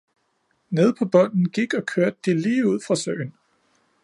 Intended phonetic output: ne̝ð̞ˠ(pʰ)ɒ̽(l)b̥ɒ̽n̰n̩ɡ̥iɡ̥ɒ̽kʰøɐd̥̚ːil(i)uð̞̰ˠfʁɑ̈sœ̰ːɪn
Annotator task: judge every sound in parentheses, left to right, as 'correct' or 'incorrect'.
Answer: correct, incorrect, incorrect

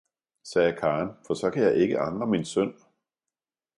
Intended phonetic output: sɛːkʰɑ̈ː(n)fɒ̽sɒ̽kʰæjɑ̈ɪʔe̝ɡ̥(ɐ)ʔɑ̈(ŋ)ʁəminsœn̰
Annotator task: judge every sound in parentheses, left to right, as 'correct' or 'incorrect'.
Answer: correct, incorrect, correct

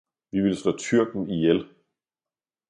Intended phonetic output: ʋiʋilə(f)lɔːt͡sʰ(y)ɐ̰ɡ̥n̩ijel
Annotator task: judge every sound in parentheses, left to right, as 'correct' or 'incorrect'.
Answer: incorrect, correct

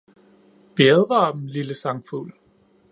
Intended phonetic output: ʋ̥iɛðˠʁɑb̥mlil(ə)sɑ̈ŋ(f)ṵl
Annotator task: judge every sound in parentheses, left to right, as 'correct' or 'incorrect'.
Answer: correct, correct

